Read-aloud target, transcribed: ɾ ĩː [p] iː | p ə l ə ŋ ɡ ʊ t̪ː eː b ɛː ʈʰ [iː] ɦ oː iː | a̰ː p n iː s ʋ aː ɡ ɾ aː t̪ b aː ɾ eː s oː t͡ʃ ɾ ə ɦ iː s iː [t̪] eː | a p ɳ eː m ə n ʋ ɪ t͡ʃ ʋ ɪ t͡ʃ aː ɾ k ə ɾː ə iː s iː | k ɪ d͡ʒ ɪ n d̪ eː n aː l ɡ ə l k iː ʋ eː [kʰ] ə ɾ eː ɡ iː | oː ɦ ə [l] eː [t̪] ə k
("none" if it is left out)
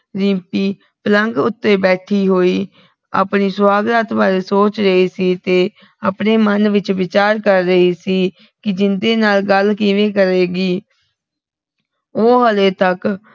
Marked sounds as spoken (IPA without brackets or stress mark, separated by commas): p, iː, t̪, k, l, t̪